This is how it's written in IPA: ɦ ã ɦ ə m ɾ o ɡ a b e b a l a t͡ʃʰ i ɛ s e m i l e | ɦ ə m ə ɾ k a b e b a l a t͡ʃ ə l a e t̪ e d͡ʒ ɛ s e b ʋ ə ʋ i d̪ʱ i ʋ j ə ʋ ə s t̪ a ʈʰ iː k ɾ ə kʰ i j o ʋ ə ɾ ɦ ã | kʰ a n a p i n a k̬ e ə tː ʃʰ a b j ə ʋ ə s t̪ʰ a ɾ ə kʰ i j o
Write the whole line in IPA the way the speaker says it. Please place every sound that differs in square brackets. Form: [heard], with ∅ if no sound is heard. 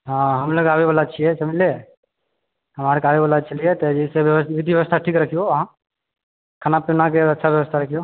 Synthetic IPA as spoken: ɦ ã ɦ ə m [l] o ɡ a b e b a l a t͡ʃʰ i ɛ s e m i l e | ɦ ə m [a] ɾ k a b e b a l a t͡ʃ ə l [i] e t̪ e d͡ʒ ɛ s e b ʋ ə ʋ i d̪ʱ i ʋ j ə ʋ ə s [t̪ʰ] a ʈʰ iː k ɾ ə kʰ i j o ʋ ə [∅] ɦ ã | kʰ a n a p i n a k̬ e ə tː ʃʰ a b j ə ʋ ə s t̪ʰ a ɾ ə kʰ i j o